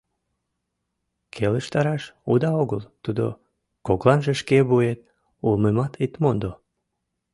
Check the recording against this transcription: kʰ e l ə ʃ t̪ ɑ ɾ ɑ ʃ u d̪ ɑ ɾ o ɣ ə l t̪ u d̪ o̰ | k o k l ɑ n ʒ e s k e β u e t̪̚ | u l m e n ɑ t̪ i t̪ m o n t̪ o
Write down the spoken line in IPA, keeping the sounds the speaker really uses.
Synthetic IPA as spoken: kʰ e l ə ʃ t̪ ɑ ɾ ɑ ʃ u d̪ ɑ o ɣ ə l t̪ u d̪ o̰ | k o k l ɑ n ʒ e ʃ k e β u e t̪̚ | u l m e m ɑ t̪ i t̪ m o n d̪ o